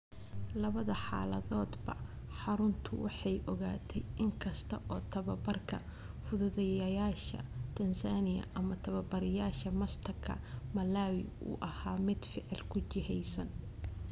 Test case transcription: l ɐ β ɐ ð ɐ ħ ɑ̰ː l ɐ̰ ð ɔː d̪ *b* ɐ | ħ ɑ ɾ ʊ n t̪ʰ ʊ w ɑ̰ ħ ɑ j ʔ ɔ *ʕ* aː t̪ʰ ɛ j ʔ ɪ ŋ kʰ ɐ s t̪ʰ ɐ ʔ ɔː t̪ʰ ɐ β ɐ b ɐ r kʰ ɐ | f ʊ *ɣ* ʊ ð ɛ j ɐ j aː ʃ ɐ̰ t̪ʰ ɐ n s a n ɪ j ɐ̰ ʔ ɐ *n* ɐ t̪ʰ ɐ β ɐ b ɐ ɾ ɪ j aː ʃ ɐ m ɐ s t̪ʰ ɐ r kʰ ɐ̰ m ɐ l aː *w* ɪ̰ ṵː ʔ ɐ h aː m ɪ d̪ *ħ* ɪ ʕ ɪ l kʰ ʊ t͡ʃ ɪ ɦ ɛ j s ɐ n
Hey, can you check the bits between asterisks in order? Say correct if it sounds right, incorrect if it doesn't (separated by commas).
correct, incorrect, incorrect, incorrect, correct, incorrect